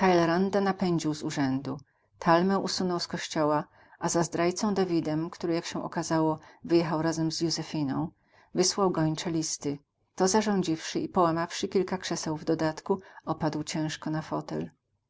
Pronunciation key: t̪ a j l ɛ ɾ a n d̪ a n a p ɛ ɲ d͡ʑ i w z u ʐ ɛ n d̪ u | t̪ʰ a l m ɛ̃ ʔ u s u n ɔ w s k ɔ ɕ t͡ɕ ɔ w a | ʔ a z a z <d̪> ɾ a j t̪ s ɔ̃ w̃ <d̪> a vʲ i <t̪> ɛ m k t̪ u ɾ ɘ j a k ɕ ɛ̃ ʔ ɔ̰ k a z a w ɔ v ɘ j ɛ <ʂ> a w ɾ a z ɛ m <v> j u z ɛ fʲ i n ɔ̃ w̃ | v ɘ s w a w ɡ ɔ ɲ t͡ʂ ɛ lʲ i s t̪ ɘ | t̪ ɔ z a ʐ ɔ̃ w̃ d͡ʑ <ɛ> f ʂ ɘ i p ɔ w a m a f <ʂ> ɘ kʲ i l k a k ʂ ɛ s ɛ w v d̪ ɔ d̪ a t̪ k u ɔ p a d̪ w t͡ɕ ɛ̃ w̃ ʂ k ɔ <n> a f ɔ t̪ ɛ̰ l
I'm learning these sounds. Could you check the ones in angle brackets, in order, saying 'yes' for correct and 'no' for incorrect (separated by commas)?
yes, yes, no, no, no, no, yes, yes